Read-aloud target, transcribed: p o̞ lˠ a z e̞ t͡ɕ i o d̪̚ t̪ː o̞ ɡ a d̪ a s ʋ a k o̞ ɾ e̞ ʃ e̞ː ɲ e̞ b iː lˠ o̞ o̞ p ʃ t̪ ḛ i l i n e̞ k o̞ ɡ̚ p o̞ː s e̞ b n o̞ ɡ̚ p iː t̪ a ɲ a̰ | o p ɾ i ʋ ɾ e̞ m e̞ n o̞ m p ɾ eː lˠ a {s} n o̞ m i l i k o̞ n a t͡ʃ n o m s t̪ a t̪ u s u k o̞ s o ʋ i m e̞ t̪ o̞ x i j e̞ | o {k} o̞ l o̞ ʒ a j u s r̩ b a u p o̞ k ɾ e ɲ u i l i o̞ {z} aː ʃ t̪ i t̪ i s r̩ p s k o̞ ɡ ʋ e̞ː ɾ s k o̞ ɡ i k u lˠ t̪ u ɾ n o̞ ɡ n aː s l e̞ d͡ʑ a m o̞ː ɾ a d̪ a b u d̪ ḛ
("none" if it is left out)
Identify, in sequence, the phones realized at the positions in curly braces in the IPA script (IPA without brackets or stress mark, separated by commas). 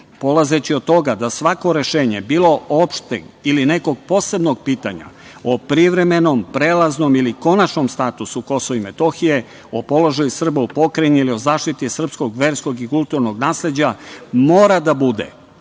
z, p, z